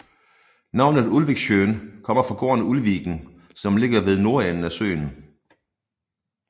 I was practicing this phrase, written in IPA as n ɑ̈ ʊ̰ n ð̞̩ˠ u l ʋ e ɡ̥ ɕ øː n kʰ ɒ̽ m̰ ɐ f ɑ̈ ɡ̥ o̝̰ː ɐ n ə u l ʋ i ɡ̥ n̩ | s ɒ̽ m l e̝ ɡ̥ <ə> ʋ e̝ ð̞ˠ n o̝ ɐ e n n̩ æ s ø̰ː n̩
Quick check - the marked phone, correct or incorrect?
incorrect